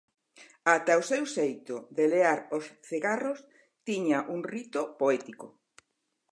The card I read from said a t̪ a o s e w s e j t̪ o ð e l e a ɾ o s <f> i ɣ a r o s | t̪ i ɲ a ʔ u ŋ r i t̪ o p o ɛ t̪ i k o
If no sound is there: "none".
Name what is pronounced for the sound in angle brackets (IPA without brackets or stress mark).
θ